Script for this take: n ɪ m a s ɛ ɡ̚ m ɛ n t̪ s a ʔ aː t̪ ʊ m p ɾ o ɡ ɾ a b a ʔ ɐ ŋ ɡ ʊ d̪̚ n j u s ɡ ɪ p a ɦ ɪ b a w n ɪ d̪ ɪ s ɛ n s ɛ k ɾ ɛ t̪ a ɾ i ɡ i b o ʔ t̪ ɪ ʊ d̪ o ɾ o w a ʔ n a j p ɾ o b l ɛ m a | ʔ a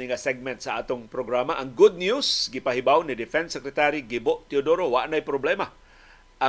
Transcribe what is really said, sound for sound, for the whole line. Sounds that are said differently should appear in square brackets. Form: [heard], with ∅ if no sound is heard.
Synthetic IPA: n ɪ [ŋ] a s ɛ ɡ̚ m ɛ n t̪ s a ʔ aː t̪ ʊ [ŋ] p ɾ o ɡ ɾ a [m] a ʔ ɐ ŋ ɡ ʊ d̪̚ n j u s ɡ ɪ p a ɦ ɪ b a w n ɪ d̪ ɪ [f] ɛ n s ɛ k ɾ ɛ t̪ a ɾ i ɡ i b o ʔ t̪ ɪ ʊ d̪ o ɾ o w a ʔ n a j p ɾ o b l ɛ m a | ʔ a